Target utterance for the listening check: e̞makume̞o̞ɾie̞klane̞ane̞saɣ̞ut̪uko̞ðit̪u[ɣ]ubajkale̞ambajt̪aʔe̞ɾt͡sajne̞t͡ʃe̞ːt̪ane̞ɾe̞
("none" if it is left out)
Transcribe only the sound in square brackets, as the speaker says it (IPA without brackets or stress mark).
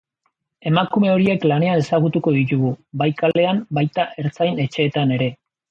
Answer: ɣ